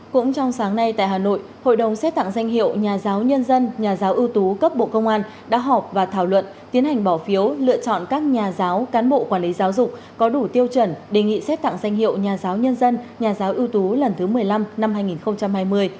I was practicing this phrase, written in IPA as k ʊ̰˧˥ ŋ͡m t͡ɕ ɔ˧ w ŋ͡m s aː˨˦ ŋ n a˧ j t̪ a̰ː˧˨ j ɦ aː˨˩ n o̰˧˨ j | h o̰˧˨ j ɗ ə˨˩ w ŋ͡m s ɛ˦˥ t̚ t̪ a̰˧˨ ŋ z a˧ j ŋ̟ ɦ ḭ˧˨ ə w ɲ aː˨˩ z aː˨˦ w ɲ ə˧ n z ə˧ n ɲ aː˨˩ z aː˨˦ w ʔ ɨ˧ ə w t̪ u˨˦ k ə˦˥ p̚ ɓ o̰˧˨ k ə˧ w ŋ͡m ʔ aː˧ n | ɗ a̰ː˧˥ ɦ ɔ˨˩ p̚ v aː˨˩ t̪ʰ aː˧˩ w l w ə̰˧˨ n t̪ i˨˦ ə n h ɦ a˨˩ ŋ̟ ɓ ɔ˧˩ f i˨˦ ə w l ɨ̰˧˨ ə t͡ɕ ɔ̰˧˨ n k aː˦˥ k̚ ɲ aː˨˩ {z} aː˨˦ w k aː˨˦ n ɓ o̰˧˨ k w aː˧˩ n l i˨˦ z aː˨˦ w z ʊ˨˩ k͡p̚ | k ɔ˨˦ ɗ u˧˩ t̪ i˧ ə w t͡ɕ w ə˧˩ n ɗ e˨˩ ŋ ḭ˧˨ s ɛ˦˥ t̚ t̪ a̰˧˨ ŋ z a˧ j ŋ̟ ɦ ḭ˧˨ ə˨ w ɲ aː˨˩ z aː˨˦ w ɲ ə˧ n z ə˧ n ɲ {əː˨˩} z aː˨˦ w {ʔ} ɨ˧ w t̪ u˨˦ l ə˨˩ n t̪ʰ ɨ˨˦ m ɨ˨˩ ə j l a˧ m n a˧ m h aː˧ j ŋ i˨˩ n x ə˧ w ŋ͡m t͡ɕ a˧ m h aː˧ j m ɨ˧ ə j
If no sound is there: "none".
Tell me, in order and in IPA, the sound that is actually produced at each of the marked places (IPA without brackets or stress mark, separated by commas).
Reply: z, aː˨˩, ʔ